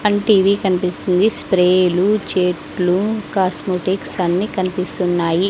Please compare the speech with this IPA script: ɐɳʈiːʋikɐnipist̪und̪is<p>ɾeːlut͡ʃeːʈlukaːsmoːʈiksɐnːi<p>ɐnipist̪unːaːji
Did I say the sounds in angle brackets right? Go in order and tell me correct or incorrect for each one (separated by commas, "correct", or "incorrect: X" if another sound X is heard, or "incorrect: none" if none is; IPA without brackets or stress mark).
correct, incorrect: k